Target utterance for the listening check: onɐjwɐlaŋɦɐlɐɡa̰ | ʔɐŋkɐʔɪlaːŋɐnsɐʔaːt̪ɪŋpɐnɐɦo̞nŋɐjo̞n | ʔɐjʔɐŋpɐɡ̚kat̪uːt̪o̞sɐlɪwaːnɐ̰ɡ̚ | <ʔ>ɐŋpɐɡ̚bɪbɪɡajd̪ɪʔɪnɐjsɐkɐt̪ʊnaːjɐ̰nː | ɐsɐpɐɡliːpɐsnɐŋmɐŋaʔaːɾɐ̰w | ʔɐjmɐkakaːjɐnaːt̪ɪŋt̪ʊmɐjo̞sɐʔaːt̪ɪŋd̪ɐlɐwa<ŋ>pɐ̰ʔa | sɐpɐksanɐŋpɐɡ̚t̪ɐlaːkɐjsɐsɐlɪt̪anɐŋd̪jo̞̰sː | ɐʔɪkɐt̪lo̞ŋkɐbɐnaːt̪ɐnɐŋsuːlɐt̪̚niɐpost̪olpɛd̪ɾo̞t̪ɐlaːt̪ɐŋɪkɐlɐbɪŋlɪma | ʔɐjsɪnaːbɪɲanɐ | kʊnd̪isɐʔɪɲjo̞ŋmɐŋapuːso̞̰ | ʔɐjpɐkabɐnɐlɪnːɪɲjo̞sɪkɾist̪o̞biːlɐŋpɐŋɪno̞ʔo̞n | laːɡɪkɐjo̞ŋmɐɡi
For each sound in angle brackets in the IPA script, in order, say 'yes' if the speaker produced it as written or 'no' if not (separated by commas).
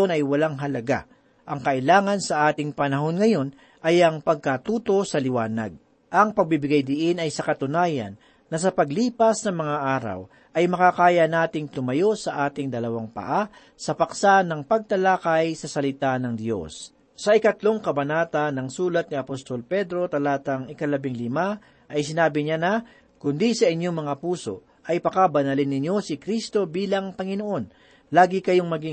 yes, yes